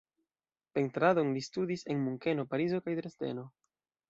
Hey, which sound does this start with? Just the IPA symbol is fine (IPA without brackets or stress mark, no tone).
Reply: p